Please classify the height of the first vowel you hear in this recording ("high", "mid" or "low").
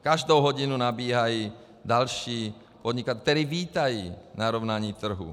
low